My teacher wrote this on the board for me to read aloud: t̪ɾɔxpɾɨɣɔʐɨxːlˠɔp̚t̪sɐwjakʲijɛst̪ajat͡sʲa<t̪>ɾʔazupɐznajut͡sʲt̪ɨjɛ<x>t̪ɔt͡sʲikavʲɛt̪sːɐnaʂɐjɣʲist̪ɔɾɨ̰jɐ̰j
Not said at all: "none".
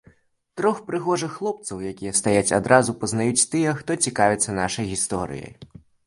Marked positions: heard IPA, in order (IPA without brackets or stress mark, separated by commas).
d̪, x